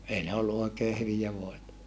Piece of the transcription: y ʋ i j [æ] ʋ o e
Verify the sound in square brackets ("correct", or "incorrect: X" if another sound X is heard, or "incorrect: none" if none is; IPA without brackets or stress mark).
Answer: correct